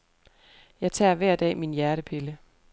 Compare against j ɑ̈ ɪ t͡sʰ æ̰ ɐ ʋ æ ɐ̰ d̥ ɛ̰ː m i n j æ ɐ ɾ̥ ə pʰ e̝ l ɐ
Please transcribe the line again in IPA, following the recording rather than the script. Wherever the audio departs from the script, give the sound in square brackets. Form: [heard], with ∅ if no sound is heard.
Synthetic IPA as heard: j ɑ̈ ɪ t͡sʰ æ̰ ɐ ʋ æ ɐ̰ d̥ ɛ̰ː m i n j æ ɐ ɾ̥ ə pʰ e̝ l [ə]

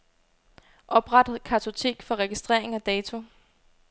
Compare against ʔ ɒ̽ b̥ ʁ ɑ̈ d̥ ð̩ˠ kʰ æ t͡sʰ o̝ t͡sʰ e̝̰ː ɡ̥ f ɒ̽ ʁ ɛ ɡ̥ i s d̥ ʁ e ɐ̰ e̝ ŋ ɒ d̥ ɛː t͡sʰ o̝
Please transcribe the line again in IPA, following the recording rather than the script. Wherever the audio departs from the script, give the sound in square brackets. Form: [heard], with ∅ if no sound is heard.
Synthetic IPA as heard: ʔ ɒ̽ b̥ ʁ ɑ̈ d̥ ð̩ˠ kʰ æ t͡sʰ o̝ t͡sʰ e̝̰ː ɡ̥ f ɒ̽ ʁ ɛ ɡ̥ i s d̥ ʁ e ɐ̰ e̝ ŋ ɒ d̥ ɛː t͡sʰ o̝

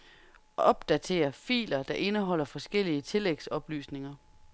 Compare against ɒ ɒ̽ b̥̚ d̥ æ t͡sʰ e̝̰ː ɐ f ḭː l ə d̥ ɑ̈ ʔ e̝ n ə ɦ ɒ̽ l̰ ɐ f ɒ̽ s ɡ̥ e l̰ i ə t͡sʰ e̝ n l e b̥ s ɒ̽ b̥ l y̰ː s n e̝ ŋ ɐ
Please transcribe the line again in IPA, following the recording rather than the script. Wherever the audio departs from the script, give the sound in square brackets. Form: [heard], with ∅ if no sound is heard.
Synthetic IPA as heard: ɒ ɒ̽ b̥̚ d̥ æ t͡sʰ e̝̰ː ɐ f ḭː l [ɐ] d̥ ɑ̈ ʔ e̝ n ə ɦ ɒ̽ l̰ ɐ f ɒ̽ s ɡ̥ e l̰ i ə t͡sʰ e̝ [∅] l e [ɡ̥] s ɒ̽ b̥ l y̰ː s n e̝ ŋ ɐ

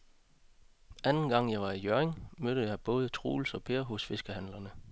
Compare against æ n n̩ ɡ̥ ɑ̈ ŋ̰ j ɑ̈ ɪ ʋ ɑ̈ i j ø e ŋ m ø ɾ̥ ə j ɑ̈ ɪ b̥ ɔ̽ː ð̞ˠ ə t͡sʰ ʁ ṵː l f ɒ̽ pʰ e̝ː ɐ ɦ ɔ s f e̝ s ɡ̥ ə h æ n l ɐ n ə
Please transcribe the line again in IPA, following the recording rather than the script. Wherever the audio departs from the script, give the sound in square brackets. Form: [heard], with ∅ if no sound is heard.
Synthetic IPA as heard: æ n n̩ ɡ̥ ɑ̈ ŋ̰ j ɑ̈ ɪ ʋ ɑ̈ i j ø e ŋ m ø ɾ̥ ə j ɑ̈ ɪ b̥ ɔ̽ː ð̞ˠ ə t͡sʰ ʁ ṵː l [s] ɒ̽ pʰ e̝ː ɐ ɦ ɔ s f e̝ s ɡ̥ ə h æ n l ɐ n ə

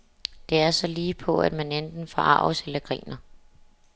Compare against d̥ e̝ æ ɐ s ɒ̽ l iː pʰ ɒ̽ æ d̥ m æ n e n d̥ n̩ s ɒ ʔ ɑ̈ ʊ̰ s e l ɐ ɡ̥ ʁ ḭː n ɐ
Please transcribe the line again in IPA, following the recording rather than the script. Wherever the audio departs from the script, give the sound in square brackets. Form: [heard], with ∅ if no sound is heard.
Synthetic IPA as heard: d̥ e̝ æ ɐ s ɒ̽ l iː pʰ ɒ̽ æ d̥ m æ n e n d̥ n̩ [f] ɒ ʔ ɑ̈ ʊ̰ s e l ɐ ɡ̥ ʁ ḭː n ɐ

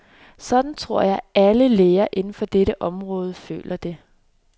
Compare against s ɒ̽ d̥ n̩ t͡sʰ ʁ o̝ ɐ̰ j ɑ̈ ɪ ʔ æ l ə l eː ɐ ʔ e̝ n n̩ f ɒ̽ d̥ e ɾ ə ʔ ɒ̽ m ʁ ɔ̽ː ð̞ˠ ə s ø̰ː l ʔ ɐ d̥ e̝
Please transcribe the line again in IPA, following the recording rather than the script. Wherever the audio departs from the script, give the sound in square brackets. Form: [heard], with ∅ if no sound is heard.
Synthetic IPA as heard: s ɒ̽ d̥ n̩ t͡sʰ ʁ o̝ ɐ̰ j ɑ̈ ɪ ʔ æ l ə l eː ɐ ʔ e̝ n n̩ f ɒ̽ d̥ e ɾ ə ʔ ɒ̽ m ʁ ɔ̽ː ð̞ˠ ə [f] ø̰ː l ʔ ɐ d̥ e̝

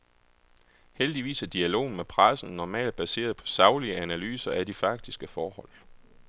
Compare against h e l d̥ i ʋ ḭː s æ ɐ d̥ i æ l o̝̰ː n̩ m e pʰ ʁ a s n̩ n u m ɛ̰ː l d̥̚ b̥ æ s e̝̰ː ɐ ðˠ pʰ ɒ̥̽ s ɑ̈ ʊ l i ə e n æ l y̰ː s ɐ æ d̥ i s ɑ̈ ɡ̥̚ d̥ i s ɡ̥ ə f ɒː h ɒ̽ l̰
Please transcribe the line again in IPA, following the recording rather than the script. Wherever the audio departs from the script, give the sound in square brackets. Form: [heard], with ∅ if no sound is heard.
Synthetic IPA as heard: h e l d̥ i ʋ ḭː s æ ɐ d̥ i æ l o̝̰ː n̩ m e pʰ ʁ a s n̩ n [ɒ] m ɛ̰ː l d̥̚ b̥ æ s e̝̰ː ɐ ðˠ pʰ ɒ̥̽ s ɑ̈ ʊ l i ə [æ] n æ l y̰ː s ɐ æ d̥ i [f] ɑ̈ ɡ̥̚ d̥ i s ɡ̥ ə f ɒː h ɒ̽ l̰

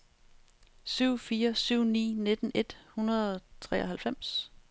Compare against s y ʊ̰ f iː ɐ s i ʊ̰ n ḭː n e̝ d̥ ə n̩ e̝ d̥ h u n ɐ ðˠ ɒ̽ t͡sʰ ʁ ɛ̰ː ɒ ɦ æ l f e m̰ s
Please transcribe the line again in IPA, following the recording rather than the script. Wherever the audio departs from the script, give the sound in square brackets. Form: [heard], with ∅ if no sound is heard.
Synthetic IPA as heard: s y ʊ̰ f iː ɐ s [y] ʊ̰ n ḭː n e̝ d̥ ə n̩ e̝ d̥ h u n ɐ ðˠ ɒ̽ t͡sʰ ʁ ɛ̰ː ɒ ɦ æ l f e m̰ s

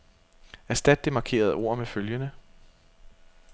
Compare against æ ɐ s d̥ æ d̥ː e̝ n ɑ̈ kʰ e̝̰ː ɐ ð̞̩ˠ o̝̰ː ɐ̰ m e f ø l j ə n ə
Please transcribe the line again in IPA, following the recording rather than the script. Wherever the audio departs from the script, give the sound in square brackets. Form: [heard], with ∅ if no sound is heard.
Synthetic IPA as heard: æ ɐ s d̥ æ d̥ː e̝ [m] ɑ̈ kʰ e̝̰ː ɐ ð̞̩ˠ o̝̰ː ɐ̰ m e f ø l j ə n ə

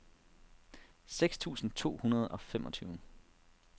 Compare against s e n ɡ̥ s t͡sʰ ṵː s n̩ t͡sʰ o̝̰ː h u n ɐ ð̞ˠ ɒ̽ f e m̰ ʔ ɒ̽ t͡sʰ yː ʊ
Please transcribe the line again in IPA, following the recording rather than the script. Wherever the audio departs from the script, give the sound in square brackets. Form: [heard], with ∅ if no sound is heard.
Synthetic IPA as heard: s e [∅] ɡ̥ s t͡sʰ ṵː s n̩ t͡sʰ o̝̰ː h u n ɐ ð̞ˠ ɒ̽ f e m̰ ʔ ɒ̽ t͡sʰ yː ʊ

